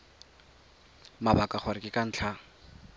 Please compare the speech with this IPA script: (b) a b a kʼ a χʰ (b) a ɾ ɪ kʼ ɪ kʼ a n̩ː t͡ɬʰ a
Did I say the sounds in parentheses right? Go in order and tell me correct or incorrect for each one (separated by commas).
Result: incorrect, incorrect